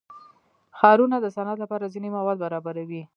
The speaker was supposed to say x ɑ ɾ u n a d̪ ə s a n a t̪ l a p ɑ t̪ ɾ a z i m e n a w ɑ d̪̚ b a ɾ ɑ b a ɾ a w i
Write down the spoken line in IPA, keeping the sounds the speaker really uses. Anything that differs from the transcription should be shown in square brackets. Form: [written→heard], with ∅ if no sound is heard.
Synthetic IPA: x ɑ ɾ u n a d̪ ə s a n a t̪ l a p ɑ [t̪→∅] ɾ a z i [m→n] e [n→m] a w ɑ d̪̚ b a ɾ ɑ b a ɾ a w i